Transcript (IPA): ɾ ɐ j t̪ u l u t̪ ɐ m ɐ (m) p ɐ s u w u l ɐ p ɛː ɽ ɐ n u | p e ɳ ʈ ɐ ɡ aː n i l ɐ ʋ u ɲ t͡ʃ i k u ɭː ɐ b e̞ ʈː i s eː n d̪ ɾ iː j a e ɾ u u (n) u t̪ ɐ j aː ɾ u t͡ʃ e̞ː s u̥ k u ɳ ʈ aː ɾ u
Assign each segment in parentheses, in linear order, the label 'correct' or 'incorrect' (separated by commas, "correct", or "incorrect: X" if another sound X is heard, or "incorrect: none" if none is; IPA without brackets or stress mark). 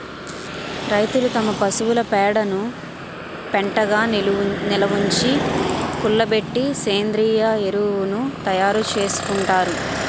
incorrect: none, correct